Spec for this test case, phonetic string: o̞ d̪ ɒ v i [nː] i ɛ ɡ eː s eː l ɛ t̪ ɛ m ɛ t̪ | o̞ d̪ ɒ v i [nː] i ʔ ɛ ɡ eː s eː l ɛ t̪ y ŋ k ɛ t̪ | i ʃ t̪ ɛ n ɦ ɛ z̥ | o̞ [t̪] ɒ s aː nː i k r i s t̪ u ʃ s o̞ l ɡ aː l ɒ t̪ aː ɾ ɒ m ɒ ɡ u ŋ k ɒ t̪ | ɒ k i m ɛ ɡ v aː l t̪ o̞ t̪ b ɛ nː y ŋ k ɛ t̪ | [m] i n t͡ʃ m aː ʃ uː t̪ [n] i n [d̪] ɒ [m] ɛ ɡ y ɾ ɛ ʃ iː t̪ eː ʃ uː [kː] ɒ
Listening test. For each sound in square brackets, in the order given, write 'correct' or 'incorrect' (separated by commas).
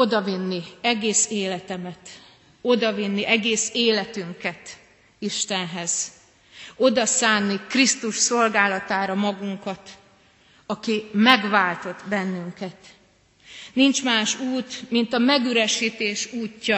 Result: correct, correct, incorrect, incorrect, incorrect, incorrect, correct, incorrect